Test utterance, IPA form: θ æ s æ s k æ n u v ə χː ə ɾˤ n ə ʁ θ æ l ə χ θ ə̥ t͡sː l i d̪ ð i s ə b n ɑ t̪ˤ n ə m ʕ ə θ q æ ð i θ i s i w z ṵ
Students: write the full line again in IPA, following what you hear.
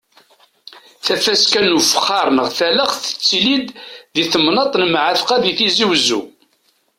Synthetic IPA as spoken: θ æ f æ s k æ n u f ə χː ɑ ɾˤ n ə ʁ θ æ l ə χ θ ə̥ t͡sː l i d̪ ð i θ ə m n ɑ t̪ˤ n ə m ʕ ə θ q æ ð i θ i z i w z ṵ